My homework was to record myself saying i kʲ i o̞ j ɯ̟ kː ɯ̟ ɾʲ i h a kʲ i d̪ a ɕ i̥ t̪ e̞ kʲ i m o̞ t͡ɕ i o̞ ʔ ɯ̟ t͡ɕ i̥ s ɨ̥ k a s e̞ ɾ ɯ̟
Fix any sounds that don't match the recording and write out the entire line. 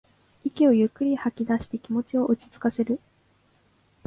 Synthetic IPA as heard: i kʲ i o̞ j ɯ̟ kː ɯ̟ ɾʲ i h a kʲ i d̪ a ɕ i̥ t̪ e̞ kʲ i m o̞ t͡ɕ i o̞ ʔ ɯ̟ t͡ɕ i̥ t͡s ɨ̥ k a s e̞ ɾ ɯ̟